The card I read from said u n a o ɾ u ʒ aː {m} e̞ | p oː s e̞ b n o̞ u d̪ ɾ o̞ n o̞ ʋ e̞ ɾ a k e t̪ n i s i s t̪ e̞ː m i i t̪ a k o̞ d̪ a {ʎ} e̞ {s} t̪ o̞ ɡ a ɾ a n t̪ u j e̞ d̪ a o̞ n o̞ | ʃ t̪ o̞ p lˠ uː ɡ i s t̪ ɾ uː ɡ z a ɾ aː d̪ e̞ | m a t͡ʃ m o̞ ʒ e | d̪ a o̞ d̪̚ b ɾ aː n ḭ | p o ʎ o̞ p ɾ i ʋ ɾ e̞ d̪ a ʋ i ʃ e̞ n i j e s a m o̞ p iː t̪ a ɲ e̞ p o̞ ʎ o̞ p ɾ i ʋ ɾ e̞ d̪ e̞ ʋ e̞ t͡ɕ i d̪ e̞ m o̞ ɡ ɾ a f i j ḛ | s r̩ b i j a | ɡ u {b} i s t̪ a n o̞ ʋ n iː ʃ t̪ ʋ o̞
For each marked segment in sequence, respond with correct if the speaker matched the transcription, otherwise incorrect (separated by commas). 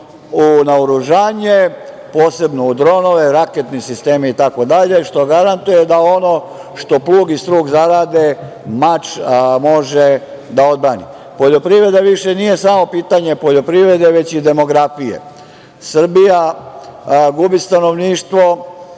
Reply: incorrect, correct, incorrect, correct